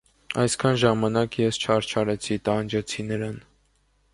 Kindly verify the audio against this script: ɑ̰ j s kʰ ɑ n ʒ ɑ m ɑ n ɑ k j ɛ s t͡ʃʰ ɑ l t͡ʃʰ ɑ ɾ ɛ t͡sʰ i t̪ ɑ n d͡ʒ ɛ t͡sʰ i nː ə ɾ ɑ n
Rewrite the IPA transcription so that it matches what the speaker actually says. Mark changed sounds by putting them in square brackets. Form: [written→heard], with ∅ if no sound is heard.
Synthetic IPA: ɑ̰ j s kʰ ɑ n ʒ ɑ m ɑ n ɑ k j ɛ s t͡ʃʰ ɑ [l→ɾ] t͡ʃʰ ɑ ɾ ɛ t͡sʰ i t̪ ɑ n d͡ʒ ɛ t͡sʰ i [nː→n] ə ɾ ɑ n